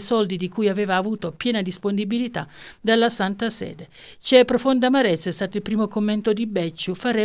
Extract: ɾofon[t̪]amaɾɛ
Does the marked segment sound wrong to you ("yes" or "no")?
yes